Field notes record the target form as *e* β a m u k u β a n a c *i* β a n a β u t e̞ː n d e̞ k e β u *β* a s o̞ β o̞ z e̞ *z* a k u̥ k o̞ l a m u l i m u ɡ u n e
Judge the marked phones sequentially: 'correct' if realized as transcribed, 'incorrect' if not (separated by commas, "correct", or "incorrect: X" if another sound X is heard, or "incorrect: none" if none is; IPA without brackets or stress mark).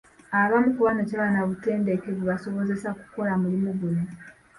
incorrect: a, incorrect: a, correct, incorrect: s